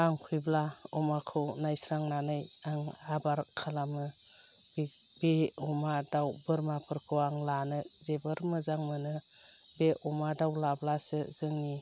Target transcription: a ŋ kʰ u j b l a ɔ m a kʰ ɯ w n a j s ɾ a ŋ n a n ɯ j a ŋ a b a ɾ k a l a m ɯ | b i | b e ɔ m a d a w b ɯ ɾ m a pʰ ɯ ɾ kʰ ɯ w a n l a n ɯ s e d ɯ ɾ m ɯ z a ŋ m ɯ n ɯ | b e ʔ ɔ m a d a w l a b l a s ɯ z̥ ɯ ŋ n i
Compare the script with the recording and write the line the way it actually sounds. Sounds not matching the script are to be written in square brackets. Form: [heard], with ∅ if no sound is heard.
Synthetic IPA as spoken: a ŋ kʰ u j b l a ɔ m a kʰ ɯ w n a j s ɾ a ŋ n a n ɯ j a ŋ a b a ɾ [kʰ] a l a m ɯ | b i | b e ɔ m a d a w b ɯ ɾ m a pʰ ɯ ɾ kʰ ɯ w a [ŋ] l a n ɯ [z] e [b] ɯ ɾ m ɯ z a ŋ m ɯ n ɯ | b e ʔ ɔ m a d a w l a b l a s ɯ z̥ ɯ ŋ n i